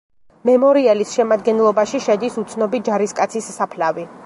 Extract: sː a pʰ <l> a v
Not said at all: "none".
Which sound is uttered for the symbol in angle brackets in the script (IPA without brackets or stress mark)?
l